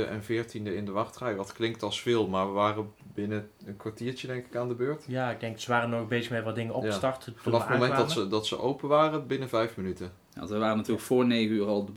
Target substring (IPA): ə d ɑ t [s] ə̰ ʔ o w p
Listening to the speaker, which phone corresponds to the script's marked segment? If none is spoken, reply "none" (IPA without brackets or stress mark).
s